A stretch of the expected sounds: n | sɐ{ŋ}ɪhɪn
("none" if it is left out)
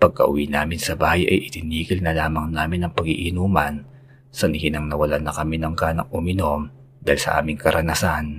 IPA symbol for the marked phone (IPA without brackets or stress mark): n